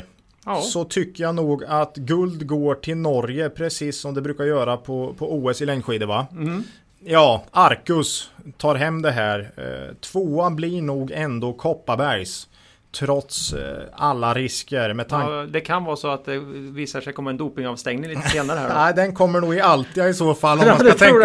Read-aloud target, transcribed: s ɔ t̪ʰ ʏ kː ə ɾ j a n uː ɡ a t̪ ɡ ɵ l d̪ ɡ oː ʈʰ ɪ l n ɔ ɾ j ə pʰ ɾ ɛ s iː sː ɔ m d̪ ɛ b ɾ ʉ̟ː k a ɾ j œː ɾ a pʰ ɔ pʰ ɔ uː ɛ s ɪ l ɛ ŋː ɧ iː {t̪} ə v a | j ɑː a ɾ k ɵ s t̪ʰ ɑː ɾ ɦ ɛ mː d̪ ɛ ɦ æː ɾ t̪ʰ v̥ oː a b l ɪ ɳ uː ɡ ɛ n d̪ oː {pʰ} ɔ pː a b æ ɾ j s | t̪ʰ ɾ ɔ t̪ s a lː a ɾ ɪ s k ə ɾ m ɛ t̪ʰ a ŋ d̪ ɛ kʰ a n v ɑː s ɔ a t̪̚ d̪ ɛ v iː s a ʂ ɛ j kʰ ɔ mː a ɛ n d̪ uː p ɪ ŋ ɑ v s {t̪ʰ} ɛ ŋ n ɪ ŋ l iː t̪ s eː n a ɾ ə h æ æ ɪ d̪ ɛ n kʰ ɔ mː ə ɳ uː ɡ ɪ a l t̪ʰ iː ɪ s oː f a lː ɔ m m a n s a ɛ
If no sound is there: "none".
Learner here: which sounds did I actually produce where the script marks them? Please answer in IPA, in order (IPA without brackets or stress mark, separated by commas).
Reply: d̪, kʰ, t̪